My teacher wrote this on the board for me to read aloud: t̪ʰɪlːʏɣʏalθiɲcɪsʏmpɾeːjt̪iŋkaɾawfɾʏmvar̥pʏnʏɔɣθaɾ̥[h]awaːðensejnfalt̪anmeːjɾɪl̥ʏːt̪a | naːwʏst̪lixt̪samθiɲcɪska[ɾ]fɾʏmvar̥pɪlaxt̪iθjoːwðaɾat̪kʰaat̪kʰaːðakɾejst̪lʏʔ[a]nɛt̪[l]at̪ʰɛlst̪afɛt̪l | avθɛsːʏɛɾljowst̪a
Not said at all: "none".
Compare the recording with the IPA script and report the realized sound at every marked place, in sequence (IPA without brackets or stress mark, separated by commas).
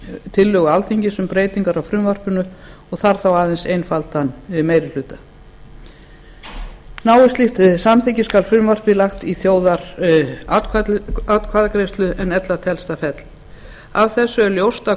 θ, l, ɛ, l